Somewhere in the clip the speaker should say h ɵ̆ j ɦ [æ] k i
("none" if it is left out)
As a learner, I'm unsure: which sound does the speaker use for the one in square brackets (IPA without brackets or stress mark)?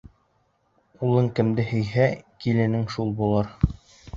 æ